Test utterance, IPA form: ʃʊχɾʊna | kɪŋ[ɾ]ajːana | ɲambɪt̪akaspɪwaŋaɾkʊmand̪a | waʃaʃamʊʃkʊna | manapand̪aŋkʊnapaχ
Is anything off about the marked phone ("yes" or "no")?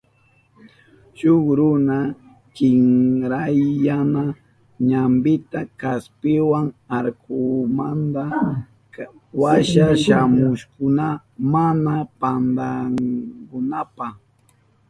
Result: no